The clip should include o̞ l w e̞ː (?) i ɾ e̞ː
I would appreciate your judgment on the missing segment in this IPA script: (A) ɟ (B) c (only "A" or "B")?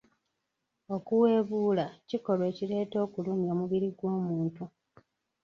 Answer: B